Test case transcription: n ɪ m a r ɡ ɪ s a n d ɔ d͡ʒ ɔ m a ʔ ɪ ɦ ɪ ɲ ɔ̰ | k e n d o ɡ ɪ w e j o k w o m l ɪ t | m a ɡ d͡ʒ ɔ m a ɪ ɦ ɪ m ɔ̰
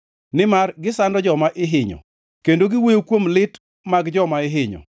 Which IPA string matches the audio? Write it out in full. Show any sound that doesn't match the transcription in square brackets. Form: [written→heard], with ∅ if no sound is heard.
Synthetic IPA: n ɪ m a r ɡ ɪ s a n d ɔ d͡ʒ ɔ m a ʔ ɪ ɦ ɪ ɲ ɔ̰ | k e n d o ɡ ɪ w e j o k w o m l ɪ t | m a ɡ d͡ʒ ɔ m a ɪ ɦ ɪ [m→ɲ] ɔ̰